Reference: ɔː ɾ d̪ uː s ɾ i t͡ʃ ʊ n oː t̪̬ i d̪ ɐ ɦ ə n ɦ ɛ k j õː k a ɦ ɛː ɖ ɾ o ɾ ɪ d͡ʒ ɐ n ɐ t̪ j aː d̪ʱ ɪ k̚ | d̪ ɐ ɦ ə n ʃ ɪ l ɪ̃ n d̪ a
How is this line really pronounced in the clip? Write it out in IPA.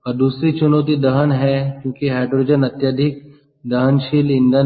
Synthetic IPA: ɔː ɾ d̪ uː s ɾ i t͡ʃ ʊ n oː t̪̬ i d̪ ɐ ɦ ə n ɦ ɛ k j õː k i ɦ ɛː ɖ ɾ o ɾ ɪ d͡ʒ ə n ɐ t̪ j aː d̪ʱ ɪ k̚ | d̪ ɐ ɦ ə n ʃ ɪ l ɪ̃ n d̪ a